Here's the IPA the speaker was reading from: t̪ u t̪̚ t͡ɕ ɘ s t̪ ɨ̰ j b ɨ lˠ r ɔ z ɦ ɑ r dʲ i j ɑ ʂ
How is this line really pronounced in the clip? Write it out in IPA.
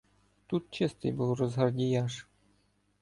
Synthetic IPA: t̪ u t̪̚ t͡ɕ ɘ s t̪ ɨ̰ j b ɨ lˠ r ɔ z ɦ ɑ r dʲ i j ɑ ʂ